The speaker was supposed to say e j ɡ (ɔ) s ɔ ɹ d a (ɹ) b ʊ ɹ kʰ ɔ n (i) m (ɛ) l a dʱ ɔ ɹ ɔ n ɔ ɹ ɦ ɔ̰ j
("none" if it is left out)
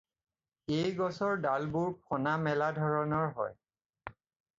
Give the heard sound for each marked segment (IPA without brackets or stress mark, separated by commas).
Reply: ɔ, l, a, ɛ